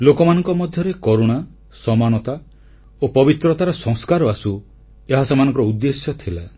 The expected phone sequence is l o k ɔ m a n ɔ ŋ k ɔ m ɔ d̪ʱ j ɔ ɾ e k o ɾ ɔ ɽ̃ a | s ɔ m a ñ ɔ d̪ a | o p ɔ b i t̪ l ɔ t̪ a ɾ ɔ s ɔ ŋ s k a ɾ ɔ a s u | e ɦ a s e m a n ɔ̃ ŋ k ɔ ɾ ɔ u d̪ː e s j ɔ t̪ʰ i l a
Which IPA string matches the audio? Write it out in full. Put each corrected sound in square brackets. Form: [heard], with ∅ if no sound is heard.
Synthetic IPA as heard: l o k ɔ m a n ɔ ŋ k ɔ m ɔ d̪ʱ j ɔ ɾ e k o ɾ [o] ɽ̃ a | s ɔ m a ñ ɔ [t̪] a | o p ɔ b i t̪ [ɾ] ɔ t̪ a ɾ ɔ s ɔ ŋ s k a ɾ ɔ a s u | e ɦ a s e m a n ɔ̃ ŋ k ɔ ɾ ɔ u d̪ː e s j ɔ t̪ʰ i l a